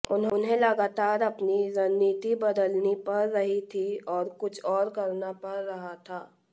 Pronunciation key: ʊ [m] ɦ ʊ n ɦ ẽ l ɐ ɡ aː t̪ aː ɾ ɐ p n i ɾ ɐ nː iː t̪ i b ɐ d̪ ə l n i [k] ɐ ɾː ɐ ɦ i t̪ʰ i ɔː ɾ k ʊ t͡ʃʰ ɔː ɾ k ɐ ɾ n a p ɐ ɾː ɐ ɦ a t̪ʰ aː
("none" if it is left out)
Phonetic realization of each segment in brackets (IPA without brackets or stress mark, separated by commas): n, p